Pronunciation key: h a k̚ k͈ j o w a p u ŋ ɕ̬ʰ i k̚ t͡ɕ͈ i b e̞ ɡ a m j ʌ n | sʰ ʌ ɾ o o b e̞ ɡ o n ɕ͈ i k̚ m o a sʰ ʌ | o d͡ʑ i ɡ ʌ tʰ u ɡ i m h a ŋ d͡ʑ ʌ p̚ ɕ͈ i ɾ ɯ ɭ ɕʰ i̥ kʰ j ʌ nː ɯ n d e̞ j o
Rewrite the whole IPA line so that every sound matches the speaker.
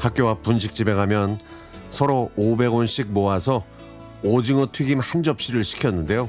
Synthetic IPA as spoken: h a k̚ k͈ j o w a p u n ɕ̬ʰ i k̚ t͡ɕ͈ i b e̞ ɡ a m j ʌ n | sʰ ʌ ɾ o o b e̞ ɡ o n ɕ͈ i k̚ m o a sʰ ʌ | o d͡ʑ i ŋ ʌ tʰ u ɡ i m h a n d͡ʑ ʌ p̚ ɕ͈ i ɾ ɯ ɭ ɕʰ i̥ kʰ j ʌ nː ɯ n d e̞ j o